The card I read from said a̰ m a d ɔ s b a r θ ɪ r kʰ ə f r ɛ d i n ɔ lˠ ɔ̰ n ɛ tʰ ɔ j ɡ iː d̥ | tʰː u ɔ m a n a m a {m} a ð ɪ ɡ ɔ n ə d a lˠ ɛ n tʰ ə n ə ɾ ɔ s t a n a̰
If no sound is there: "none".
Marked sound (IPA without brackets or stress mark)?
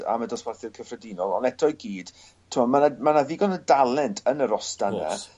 n